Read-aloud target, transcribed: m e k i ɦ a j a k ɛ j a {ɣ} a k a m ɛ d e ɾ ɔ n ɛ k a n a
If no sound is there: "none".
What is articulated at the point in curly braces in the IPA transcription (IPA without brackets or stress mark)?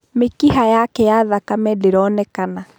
ð